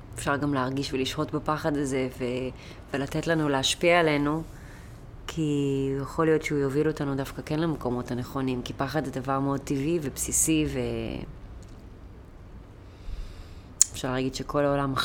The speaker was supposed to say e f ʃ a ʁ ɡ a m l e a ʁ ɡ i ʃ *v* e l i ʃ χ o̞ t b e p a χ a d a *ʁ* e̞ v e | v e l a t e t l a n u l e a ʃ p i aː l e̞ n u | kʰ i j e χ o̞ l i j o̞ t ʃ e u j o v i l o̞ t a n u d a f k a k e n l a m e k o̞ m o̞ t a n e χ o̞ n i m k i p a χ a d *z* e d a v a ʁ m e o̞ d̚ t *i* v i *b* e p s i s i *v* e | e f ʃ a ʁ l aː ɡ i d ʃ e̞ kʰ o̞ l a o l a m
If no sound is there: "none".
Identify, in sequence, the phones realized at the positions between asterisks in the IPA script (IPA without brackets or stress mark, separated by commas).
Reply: v, z, z, i, v, v